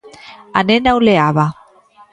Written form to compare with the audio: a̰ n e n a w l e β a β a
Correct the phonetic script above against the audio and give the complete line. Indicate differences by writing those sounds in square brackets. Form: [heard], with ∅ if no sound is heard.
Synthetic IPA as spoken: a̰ n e n a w l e [∅] a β a